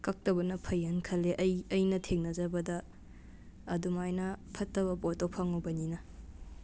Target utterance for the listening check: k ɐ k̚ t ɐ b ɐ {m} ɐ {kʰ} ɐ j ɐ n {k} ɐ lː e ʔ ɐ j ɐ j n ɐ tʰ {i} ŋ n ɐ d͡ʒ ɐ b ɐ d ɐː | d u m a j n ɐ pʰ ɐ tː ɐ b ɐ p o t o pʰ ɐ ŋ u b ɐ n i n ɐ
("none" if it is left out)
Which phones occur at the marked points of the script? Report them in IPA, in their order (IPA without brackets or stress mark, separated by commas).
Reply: n, pʰ, kʰ, e